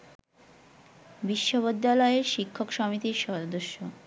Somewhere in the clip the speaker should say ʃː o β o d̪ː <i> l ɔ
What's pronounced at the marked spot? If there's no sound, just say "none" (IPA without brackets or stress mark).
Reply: a